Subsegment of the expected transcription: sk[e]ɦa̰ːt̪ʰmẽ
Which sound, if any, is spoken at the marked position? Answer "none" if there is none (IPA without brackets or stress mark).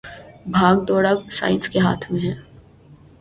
e